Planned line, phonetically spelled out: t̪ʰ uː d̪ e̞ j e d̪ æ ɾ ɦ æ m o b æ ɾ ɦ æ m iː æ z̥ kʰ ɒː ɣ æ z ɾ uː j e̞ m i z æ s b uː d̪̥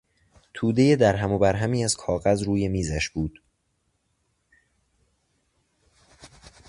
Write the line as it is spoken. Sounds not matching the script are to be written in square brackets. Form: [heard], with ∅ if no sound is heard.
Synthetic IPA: t̪ʰ uː d̪ e̞ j e d̪ æ ɾ ɦ æ m o b æ ɾ ɦ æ m iː æ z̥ kʰ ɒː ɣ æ z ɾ uː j e̞ m [iː] z æ [ʃ] b uː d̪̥